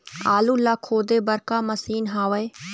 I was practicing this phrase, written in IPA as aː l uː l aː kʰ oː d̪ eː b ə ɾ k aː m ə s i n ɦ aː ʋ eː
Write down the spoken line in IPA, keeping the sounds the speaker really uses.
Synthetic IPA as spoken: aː l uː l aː kʰ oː d̪ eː b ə ɾ k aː m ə s iː n ɦ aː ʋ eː